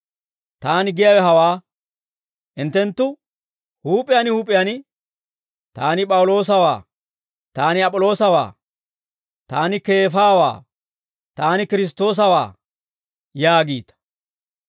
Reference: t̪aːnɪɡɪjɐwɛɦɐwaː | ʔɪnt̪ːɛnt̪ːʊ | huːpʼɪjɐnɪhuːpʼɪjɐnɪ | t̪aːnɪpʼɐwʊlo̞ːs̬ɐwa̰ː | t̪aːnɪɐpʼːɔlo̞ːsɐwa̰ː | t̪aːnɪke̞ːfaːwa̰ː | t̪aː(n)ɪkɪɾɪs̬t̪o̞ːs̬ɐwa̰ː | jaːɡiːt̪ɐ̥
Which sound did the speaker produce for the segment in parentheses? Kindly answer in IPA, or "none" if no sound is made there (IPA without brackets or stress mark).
n